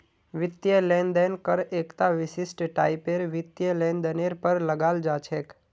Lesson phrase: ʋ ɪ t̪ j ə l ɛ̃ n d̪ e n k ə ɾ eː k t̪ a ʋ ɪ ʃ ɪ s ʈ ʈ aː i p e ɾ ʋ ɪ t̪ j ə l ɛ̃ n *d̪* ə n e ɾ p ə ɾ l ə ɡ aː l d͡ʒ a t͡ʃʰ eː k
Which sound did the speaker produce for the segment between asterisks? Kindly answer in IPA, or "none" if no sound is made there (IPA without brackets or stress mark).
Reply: d̪